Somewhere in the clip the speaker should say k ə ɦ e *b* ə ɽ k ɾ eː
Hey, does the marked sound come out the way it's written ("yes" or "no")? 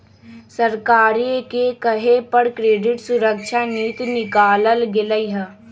no